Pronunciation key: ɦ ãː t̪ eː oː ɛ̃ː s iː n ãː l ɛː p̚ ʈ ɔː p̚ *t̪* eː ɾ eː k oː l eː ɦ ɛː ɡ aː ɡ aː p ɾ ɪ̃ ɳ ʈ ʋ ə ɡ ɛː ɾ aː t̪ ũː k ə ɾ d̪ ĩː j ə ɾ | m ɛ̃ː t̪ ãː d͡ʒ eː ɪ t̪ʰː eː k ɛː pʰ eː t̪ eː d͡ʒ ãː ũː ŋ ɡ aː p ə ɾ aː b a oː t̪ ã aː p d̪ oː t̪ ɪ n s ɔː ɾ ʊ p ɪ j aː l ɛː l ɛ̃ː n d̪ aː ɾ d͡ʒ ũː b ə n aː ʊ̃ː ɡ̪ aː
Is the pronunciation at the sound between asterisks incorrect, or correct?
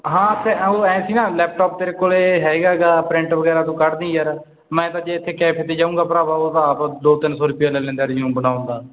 correct